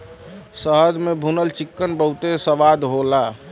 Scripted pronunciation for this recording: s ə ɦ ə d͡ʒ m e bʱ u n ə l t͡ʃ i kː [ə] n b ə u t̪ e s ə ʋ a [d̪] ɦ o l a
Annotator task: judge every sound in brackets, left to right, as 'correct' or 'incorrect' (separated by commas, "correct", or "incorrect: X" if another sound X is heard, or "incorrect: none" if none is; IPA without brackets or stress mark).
correct, correct